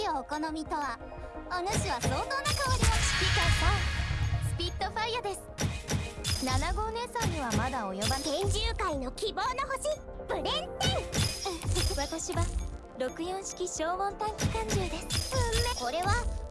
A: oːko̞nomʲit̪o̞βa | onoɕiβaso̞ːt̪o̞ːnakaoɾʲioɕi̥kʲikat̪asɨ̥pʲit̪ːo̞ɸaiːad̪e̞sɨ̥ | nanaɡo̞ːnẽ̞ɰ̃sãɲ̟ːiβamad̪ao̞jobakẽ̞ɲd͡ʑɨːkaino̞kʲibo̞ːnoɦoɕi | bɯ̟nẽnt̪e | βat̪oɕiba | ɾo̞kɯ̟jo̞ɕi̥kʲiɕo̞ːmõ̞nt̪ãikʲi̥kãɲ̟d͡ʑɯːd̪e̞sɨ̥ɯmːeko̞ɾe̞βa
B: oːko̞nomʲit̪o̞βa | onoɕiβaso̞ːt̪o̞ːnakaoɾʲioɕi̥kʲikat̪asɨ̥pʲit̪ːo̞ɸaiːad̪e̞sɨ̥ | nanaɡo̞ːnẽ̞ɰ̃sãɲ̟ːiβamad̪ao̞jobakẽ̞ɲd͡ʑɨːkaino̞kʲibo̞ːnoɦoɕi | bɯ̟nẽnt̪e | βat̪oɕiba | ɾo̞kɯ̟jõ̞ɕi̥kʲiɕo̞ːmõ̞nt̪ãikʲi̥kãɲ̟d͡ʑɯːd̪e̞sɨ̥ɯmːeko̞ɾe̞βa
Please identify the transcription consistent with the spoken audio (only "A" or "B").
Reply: B